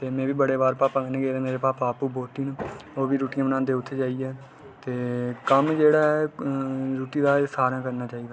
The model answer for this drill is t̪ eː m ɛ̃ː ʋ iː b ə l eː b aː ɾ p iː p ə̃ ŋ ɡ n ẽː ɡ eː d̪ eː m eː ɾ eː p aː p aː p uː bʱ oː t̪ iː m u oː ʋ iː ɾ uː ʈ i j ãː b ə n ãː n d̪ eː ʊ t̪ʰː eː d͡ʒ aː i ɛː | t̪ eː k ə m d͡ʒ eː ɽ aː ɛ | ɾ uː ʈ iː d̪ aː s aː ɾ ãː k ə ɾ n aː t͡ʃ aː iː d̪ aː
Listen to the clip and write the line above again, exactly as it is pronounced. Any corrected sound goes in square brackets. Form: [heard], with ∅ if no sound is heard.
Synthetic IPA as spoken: t̪ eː m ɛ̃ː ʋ iː b ə [ɽ] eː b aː ɾ p [aː] p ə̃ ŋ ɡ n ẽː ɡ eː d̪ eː m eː ɾ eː p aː p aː p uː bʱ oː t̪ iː [n] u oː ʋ iː ɾ uː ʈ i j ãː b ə n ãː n d̪ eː ʊ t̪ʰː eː d͡ʒ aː i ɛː | t̪ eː k ə m d͡ʒ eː ɽ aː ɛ | ɾ uː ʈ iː d̪ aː s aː ɾ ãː k ə ɾ n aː t͡ʃ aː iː d̪ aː

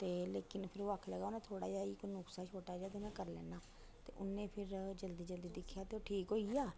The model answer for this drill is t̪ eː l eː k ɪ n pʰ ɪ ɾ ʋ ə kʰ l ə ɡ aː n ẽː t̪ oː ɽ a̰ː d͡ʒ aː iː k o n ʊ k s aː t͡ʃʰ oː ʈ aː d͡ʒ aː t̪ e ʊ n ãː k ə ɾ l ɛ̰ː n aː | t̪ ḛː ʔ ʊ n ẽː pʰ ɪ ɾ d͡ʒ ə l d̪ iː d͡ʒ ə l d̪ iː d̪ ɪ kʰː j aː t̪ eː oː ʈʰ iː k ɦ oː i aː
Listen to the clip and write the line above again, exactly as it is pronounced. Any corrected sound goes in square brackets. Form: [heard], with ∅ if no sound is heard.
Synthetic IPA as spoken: t̪ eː l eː k ɪ n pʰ ɪ ɾ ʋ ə kʰ l ə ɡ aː n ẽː [t̪ʰ] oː ɽ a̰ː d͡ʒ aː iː k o n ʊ k s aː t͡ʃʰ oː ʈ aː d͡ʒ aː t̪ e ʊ n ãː k ə ɾ l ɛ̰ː n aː | t̪ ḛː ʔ ʊ n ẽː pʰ ɪ ɾ d͡ʒ ə l d̪ iː d͡ʒ ə l d̪ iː d̪ ɪ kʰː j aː t̪ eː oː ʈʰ iː k ɦ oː i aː

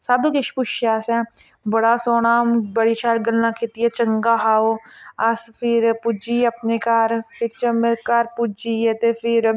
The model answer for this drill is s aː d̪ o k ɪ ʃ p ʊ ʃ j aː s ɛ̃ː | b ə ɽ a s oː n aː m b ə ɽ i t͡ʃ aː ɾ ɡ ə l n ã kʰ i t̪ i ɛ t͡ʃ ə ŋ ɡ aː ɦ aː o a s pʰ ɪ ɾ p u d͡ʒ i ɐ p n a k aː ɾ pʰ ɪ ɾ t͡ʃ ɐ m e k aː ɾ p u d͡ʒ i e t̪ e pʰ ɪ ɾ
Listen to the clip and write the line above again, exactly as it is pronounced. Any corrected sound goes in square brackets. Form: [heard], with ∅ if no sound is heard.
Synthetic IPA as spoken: s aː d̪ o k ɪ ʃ p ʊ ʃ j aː s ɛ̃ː | b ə ɽ a s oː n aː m b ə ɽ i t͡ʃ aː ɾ ɡ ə l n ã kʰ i t̪ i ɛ t͡ʃ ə ŋ ɡ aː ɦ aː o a s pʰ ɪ ɾ p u d͡ʒ i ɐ p n [e] k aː ɾ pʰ ɪ ɾ t͡ʃ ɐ m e k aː ɾ p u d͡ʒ i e t̪ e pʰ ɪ ɾ

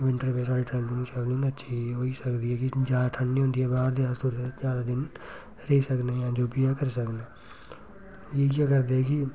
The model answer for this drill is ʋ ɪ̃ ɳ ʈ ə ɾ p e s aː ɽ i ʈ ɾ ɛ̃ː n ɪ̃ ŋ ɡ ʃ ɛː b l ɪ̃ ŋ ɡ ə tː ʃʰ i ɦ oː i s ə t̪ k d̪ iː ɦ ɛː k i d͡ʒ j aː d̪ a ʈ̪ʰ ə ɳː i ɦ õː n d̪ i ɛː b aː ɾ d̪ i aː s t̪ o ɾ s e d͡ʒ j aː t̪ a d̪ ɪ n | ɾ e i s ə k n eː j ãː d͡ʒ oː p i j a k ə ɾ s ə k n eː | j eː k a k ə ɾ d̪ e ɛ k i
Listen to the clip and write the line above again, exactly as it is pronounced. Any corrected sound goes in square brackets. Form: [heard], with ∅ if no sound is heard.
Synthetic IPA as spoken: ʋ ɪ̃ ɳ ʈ ə ɾ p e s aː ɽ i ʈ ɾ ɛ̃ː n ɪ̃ ŋ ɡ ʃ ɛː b l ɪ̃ ŋ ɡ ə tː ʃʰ i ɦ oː i s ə [∅] k d̪ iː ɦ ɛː k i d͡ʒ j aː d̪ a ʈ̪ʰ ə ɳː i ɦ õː n d̪ i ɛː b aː ɾ d̪ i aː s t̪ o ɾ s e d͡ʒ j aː [d̪] a d̪ ɪ n | ɾ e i s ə k n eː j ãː d͡ʒ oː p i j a k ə ɾ s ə k n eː | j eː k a k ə ɾ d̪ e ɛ k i

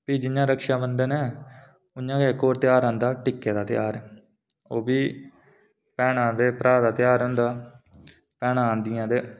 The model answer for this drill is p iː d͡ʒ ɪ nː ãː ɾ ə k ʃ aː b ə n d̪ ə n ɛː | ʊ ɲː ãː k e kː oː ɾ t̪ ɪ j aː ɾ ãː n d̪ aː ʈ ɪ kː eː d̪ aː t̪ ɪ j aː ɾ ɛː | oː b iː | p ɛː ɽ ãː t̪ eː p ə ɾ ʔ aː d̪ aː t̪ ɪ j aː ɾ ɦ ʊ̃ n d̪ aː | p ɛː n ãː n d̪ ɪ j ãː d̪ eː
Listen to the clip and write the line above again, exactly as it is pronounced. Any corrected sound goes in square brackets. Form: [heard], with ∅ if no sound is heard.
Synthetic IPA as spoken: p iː d͡ʒ ɪ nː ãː ɾ ə k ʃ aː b ə n d̪ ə n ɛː | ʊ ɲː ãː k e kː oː ɾ t̪ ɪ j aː ɾ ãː n d̪ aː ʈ ɪ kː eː d̪ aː t̪ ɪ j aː ɾ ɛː | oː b iː | p ɛː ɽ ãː [d̪] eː p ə ɾ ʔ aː d̪ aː t̪ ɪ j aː ɾ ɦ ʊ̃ n d̪ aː | p ɛː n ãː n d̪ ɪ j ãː d̪ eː

